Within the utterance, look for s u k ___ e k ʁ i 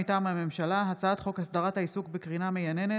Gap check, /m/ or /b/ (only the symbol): b